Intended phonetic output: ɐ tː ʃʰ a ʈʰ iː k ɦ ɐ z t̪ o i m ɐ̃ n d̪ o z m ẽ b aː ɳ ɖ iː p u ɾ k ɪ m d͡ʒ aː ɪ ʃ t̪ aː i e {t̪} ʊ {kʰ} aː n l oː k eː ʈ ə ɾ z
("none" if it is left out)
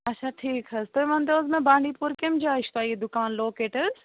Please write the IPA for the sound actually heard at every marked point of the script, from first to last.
d̪, k

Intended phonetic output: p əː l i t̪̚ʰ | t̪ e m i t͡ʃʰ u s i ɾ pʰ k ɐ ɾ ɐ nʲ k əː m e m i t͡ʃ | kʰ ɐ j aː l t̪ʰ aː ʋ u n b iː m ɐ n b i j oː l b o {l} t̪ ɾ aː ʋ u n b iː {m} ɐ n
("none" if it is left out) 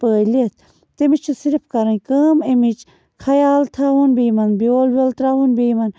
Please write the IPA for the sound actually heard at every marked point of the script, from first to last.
l, m

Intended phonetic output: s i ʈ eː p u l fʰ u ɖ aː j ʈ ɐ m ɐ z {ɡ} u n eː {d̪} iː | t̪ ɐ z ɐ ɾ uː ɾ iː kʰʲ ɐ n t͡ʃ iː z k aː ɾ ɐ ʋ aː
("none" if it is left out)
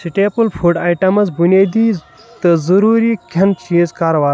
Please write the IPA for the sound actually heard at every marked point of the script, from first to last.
b, d̪

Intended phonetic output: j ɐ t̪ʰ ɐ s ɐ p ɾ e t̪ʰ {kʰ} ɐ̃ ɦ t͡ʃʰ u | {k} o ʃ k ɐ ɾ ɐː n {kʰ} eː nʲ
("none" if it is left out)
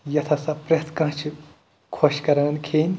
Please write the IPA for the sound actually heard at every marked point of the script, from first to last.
k, kʰ, kʰ

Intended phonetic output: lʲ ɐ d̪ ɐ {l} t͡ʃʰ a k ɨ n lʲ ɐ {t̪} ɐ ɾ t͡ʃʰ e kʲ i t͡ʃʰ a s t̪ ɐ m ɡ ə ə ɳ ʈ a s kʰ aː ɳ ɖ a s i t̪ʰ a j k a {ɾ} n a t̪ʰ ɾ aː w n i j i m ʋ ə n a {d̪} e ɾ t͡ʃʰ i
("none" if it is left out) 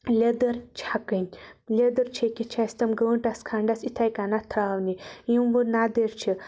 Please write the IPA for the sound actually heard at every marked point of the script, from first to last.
ɾ, d̪, none, d̪

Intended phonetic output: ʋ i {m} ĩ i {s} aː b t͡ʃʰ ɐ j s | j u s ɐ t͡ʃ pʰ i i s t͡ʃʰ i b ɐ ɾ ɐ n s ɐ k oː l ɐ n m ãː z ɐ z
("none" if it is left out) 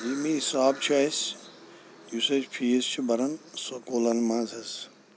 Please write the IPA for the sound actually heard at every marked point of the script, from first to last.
m, s

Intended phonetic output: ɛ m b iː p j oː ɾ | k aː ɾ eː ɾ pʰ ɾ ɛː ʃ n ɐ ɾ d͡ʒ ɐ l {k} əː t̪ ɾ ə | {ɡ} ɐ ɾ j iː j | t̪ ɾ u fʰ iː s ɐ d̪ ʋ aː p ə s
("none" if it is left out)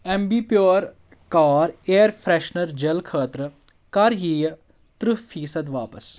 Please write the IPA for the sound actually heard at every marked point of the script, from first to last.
kʰ, k

